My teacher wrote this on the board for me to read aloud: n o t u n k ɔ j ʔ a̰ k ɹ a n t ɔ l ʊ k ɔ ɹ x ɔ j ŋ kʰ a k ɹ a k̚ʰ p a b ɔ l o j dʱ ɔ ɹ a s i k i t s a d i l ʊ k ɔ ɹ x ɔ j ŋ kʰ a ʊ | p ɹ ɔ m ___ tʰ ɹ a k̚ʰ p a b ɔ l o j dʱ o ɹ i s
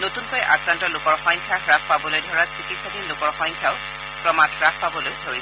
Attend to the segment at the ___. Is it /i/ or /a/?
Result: a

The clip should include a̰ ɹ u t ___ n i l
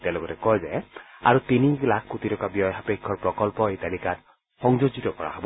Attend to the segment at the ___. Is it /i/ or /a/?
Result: i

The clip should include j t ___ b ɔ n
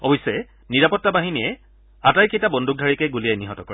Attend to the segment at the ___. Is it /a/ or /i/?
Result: a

